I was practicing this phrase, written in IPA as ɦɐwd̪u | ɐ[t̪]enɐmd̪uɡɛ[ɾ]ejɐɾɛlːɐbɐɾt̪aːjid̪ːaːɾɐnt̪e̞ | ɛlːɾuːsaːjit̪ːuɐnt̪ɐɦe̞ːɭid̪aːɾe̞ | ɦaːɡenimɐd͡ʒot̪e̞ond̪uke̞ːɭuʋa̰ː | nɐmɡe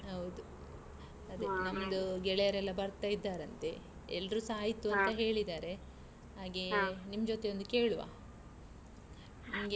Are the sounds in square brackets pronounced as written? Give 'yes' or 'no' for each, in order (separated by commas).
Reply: no, no